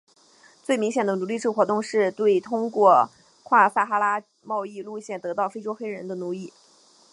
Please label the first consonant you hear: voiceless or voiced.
voiceless